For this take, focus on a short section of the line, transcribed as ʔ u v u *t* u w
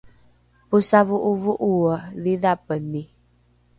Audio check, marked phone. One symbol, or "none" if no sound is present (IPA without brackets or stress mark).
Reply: ʔ